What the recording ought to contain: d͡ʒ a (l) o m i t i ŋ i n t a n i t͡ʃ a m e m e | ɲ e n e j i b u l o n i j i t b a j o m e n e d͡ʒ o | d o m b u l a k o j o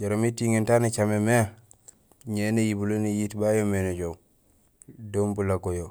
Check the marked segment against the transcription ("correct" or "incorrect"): incorrect